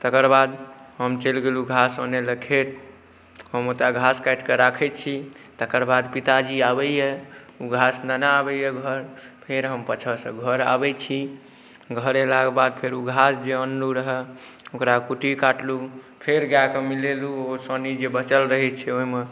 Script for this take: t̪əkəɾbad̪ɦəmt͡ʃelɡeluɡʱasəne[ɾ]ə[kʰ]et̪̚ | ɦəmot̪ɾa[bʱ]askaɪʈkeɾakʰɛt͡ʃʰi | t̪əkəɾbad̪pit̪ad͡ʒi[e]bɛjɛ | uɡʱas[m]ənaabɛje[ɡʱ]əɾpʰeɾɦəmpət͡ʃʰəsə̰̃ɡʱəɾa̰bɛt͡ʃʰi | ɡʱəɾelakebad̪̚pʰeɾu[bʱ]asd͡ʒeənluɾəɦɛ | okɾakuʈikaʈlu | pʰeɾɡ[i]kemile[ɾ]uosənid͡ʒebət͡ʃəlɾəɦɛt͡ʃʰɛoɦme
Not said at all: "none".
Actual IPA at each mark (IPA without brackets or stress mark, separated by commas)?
l, kʰ, ɡʱ, a, n, ɡʱ, ɡʱ, a, l